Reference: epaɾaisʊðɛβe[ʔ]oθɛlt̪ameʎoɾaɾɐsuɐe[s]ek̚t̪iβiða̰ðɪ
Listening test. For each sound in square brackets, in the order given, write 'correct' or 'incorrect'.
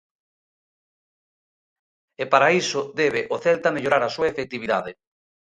correct, incorrect

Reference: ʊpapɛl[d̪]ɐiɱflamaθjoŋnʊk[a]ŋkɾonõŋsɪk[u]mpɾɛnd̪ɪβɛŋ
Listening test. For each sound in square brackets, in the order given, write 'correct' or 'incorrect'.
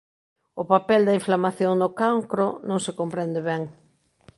correct, correct, incorrect

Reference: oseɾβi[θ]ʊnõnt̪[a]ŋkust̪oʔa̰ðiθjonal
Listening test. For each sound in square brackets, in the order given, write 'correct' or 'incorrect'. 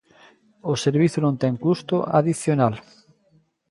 correct, incorrect

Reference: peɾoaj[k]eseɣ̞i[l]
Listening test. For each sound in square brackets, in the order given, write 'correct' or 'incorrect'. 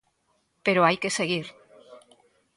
correct, incorrect

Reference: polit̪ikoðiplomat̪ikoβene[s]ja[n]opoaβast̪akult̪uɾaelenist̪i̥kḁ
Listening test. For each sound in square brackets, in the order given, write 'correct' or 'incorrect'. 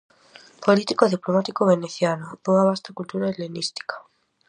incorrect, correct

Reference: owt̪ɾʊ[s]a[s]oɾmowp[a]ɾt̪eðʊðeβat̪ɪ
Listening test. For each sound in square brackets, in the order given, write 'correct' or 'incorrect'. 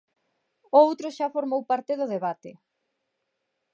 incorrect, incorrect, correct

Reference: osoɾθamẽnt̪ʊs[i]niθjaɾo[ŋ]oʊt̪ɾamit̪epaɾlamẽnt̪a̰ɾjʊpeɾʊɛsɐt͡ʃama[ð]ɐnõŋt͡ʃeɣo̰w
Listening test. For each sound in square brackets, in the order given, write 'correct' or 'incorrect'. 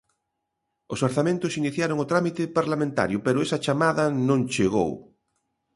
correct, correct, correct

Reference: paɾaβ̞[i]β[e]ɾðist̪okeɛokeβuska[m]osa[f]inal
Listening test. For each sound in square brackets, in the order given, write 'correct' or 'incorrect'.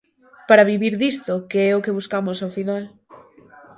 correct, incorrect, correct, correct

